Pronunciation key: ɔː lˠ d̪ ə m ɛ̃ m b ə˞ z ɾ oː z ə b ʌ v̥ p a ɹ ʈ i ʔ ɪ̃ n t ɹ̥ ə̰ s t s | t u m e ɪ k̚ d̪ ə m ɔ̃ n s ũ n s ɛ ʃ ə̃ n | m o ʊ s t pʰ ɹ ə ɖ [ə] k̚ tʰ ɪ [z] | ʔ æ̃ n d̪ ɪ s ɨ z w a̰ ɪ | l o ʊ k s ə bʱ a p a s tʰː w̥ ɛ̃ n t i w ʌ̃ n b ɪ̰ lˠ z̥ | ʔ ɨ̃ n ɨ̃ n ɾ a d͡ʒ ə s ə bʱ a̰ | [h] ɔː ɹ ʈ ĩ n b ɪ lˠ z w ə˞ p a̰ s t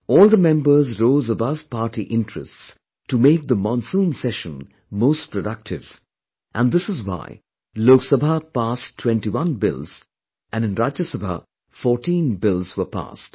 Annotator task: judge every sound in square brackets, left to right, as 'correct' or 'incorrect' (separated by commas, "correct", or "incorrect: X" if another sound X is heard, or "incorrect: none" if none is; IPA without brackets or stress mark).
incorrect: ʌ, incorrect: v, incorrect: f